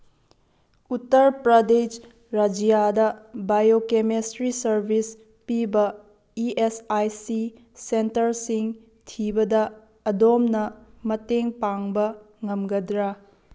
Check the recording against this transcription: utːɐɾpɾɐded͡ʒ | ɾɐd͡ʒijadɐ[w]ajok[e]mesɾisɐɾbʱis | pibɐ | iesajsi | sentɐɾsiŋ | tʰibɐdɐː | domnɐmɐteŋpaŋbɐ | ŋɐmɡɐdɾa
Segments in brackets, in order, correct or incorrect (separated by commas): incorrect, correct